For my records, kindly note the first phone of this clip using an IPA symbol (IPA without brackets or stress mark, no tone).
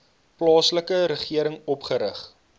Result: p